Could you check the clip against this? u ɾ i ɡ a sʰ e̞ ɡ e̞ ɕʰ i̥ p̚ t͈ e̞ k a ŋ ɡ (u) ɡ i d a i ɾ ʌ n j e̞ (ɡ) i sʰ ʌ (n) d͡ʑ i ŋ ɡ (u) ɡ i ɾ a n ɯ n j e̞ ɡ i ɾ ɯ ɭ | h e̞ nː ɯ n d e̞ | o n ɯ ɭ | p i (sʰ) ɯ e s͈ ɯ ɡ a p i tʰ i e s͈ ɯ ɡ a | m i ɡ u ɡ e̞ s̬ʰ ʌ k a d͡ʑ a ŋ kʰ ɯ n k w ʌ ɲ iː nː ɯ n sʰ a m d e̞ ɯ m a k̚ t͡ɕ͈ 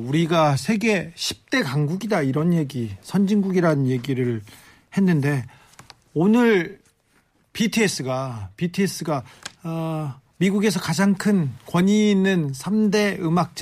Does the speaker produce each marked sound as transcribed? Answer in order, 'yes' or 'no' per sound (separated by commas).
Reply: yes, yes, yes, yes, no